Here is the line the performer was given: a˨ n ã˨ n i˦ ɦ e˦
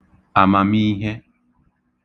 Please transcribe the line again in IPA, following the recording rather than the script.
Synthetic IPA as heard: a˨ m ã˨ m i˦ ɦ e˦